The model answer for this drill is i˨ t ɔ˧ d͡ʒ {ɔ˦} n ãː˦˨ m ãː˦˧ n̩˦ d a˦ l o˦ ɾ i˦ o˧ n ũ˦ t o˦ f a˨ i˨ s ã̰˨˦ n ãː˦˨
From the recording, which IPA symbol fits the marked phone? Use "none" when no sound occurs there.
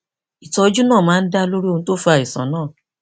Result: u˦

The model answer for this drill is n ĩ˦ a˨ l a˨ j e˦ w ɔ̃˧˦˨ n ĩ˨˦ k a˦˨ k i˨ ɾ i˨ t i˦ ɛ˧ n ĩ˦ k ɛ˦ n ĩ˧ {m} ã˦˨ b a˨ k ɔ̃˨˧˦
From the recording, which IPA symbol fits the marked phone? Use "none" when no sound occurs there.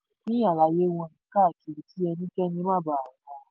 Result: m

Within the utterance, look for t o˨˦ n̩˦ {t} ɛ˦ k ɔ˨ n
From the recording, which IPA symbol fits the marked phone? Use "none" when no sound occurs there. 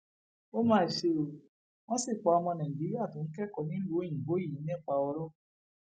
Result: k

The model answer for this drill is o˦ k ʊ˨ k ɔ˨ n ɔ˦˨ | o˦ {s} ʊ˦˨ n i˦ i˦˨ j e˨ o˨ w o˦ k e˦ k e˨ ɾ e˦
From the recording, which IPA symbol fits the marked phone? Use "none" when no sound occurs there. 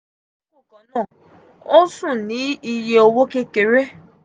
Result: s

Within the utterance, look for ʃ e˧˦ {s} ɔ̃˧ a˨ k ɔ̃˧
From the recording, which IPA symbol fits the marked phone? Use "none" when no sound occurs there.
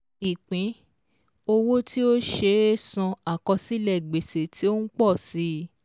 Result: s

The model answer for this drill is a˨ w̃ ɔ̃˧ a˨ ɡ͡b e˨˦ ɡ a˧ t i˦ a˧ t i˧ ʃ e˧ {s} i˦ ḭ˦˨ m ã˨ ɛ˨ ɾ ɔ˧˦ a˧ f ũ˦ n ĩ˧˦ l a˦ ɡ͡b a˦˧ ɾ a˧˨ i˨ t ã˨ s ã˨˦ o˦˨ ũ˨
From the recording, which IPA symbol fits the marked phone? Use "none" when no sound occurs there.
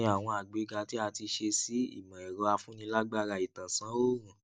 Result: s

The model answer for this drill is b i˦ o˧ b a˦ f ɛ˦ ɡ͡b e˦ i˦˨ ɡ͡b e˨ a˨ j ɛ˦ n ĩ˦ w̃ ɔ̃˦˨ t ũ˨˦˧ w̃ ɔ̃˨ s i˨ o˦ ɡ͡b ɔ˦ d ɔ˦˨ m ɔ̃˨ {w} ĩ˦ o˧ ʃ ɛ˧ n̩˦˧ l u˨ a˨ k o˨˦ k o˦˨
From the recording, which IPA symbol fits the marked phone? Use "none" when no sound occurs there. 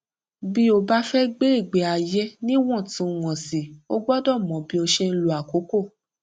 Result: b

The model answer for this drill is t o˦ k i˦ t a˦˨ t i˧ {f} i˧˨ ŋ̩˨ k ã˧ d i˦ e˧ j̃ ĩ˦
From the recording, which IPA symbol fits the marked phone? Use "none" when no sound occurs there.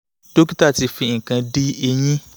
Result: f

